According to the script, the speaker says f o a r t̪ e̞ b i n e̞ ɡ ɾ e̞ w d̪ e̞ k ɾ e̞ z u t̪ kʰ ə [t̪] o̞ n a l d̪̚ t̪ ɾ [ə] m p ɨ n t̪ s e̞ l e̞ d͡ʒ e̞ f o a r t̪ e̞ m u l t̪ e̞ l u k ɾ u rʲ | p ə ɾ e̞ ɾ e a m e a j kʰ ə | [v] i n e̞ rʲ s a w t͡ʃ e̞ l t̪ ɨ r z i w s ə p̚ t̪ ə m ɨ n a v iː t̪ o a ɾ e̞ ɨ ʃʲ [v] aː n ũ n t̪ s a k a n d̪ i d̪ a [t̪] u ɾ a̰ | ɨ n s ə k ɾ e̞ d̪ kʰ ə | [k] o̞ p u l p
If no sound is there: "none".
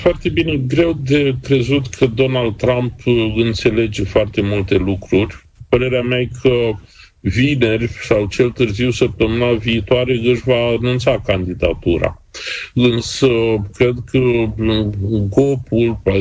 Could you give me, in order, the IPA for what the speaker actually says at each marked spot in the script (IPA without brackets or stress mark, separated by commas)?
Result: d̪, a, v, v, t̪, ɡ